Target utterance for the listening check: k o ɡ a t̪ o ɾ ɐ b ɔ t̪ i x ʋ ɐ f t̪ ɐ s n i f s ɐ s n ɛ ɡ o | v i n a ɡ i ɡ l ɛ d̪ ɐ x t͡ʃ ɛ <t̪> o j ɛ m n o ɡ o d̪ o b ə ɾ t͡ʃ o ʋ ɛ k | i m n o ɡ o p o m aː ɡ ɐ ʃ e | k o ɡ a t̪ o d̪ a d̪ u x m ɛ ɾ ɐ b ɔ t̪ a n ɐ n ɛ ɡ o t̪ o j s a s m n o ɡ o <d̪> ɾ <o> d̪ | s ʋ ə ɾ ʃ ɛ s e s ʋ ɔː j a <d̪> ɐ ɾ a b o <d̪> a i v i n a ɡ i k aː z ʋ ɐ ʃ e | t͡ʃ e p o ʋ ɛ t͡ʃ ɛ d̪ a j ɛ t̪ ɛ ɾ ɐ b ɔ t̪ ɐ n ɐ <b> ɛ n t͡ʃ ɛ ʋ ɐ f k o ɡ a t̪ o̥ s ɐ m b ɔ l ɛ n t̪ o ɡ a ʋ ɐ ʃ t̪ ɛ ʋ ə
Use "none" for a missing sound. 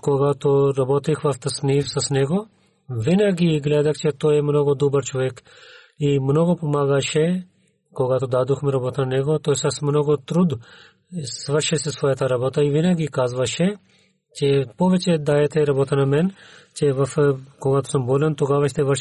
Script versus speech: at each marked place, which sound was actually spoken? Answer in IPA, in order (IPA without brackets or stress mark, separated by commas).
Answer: t̪, t̪, u, t̪, t̪, m